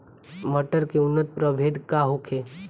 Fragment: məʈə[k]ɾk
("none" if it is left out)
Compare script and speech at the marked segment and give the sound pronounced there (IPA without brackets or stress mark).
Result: none